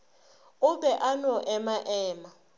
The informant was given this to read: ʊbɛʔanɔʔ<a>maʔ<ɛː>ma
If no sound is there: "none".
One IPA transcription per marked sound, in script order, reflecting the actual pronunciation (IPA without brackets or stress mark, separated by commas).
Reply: ɛ, ɛː